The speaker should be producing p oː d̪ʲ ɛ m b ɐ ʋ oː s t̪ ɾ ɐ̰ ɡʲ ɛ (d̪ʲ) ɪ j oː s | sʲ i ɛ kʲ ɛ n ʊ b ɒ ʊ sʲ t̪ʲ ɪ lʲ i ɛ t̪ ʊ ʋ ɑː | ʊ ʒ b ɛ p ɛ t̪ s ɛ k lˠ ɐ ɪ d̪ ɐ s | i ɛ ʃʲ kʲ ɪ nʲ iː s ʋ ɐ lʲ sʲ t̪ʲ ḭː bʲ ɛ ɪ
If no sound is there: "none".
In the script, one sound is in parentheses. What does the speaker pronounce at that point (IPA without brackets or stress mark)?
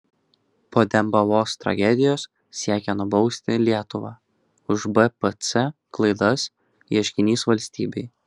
d̪ʲ